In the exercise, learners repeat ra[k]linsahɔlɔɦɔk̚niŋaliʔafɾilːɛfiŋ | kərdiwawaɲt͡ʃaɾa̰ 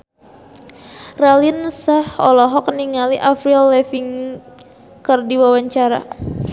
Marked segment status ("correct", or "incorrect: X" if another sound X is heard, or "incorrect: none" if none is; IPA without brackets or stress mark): incorrect: none